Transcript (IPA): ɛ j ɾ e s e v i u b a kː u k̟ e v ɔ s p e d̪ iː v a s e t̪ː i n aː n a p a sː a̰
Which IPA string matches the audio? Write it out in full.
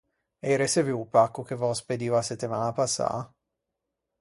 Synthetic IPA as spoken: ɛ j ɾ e s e v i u p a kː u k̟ e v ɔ s p e d̪ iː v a s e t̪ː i m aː n a p a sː a̰